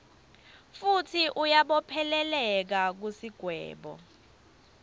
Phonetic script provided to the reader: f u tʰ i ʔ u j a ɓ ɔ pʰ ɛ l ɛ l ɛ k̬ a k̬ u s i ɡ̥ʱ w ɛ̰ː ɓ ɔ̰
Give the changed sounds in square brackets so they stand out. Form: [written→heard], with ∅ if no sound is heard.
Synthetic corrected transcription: f u tʰ i ʔ u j a ɓ ɔ pʰ ɛ l ɛ l ɛ k̬ a k̬ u s i ɡ̥ʱ w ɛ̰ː ɓ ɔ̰